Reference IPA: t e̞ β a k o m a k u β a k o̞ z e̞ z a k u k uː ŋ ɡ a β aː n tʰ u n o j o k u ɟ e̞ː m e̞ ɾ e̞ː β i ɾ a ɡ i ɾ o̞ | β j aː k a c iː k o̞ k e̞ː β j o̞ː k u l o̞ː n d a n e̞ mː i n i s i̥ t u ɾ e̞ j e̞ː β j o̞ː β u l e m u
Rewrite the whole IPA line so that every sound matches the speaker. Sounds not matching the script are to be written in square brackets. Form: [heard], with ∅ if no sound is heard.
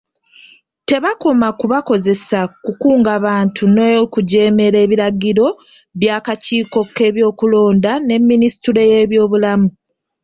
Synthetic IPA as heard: t e̞ β a k o m a k u β a k o̞ z e̞ [s] a k u k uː ŋ ɡ a β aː n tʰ u n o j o k u ɟ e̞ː m e̞ ɾ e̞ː β i ɾ a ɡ i ɾ o̞ | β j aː k a c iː k o̞ k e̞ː β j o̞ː k u l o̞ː n d a n e̞ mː i n i s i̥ t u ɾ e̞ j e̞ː β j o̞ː β u l [a] m u

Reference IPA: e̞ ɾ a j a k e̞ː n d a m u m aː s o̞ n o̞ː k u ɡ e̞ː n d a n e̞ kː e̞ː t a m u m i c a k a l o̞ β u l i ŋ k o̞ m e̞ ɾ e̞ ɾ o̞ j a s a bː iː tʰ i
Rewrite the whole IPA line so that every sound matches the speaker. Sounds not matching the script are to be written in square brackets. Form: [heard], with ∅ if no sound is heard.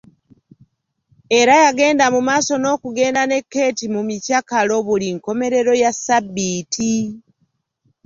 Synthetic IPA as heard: e̞ ɾ a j a [ɡ] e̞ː n d a m u m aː s o̞ n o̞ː k u ɡ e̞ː n d a n e̞ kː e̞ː t [i] m u m i c a k a l o̞ β u l i ŋ k o̞ m e̞ ɾ e̞ ɾ o̞ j a s a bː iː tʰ i

